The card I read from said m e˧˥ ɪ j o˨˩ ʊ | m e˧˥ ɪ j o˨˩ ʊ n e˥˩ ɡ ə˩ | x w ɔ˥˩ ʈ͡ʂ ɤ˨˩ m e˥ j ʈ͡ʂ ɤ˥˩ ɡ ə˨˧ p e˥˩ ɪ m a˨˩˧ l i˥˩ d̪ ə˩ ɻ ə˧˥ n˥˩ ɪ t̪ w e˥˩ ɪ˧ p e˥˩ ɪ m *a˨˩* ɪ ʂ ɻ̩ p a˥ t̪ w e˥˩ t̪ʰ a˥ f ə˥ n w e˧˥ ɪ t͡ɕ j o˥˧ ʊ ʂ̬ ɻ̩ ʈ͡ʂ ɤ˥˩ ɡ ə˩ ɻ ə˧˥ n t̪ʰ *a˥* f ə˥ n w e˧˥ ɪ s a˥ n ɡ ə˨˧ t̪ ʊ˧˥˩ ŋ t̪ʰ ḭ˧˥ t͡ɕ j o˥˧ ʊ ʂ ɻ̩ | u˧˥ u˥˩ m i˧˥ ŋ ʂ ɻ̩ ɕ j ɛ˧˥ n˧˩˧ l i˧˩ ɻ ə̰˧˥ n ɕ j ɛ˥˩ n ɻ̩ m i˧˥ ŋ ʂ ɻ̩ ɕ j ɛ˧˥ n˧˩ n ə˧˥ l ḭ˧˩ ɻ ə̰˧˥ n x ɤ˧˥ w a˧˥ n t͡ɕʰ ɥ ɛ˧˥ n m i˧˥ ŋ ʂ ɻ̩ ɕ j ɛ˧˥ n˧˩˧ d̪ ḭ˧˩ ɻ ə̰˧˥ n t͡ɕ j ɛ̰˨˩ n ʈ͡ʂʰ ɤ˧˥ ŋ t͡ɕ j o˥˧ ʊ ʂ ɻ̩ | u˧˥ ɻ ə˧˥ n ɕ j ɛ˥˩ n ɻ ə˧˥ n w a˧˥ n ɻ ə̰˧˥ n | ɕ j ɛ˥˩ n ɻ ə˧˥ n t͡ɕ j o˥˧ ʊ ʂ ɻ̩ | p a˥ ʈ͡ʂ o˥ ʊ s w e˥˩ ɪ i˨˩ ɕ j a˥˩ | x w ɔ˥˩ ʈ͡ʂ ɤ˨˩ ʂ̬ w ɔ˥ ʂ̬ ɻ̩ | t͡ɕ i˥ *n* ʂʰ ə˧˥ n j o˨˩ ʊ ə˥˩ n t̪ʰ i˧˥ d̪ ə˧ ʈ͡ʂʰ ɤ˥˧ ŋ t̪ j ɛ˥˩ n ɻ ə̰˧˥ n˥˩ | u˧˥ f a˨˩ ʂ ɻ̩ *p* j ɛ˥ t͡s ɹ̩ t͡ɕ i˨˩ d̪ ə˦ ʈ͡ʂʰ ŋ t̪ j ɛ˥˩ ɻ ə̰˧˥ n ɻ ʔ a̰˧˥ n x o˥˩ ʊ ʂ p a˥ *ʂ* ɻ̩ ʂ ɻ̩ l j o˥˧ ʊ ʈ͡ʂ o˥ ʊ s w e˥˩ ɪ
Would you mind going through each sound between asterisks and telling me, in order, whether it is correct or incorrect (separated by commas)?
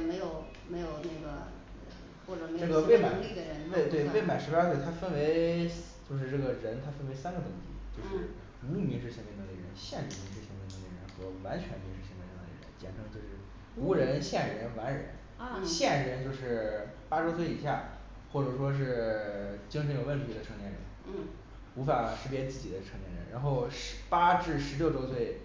correct, correct, incorrect, correct, incorrect